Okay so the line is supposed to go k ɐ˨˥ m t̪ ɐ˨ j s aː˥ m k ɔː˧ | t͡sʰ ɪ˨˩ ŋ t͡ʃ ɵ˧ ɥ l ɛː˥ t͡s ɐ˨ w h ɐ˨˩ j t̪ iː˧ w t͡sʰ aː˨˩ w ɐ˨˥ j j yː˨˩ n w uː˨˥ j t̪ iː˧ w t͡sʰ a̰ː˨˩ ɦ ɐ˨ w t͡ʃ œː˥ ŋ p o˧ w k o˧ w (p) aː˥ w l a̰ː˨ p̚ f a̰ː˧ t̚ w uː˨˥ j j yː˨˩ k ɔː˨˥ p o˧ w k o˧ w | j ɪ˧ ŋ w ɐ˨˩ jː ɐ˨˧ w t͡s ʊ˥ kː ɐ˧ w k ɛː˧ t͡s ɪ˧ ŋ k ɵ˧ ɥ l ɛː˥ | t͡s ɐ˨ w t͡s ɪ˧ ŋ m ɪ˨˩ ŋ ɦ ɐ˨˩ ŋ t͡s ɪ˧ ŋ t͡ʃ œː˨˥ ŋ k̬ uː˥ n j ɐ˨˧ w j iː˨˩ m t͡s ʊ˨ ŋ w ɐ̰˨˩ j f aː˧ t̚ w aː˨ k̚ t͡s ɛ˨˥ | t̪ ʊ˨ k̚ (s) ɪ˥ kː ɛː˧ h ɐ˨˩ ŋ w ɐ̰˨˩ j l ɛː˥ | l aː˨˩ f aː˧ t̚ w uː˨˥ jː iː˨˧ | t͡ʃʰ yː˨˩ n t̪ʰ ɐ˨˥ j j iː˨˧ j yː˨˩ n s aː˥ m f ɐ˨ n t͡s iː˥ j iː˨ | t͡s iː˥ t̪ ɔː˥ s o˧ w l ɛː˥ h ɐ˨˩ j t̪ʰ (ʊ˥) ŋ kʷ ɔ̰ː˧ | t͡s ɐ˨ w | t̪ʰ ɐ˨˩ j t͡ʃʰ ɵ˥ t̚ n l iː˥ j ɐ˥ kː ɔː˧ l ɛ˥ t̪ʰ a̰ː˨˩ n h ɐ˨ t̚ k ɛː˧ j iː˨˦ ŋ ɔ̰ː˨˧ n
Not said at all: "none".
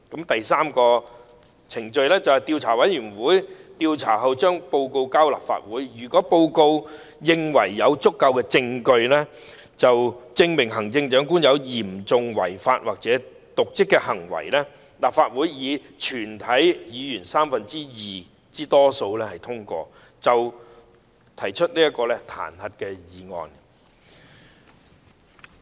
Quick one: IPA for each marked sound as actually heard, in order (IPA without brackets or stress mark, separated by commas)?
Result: k, t͡s, ʊ˥